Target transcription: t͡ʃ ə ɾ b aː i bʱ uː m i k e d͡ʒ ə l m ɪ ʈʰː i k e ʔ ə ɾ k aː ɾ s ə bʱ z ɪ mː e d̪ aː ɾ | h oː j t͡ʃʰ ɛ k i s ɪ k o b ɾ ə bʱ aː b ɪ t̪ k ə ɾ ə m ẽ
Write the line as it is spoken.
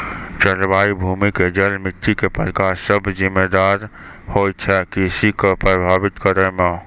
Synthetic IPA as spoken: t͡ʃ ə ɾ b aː i bʱ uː m i k e d͡ʒ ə l m ɪ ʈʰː i k e p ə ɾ k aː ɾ s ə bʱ z ɪ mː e d̪ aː ɾ | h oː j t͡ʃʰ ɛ k i s i k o p ɾ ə bʱ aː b ɪ t̪ k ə ɾ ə m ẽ